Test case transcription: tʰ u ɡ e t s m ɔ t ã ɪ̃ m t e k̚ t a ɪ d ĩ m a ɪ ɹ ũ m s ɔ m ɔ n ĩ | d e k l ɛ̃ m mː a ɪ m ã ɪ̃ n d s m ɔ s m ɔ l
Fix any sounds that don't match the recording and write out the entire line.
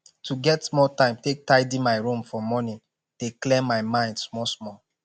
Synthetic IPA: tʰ u ɡ ɛ t s m ɔ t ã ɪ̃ m t e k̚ t a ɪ d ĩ m a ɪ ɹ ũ m f ɔ m ɔ n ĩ | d e k l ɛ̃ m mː a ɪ m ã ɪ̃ n d s m ɔ s m ɔ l